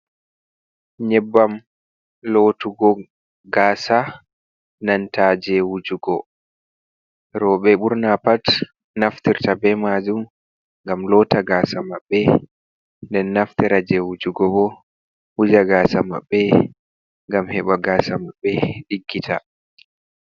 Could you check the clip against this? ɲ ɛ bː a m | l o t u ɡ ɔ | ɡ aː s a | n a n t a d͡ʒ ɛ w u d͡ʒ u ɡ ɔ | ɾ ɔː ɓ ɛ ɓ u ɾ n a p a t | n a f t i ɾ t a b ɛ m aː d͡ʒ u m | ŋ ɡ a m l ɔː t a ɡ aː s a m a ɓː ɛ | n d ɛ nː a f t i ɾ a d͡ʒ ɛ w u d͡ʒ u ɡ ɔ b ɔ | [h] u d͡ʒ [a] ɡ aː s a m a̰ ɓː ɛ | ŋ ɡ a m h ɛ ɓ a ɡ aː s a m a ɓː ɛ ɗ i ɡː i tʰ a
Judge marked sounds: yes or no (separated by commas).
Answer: yes, yes